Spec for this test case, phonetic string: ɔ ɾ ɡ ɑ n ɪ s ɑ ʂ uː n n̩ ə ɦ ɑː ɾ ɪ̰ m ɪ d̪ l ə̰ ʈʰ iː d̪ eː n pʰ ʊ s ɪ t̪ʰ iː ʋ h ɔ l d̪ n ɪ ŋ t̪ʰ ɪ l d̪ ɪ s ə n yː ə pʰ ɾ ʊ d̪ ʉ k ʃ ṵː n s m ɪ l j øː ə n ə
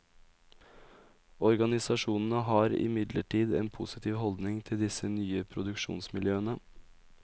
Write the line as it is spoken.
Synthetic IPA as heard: ɔ ɾ ɡ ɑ n ɪ s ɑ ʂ uː n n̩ ə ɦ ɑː ɾ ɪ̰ m ɪ d̪ l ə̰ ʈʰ iː d̪ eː n pʰ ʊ s ɪ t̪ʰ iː ʋ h ɔ l d̪ n ɪ ŋ t̪ʰ ɪ l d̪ ɪ s ə n yː ə pʰ ɾ ʊ d̪ ʉ k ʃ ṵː n s m ɪ l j øː ə n ə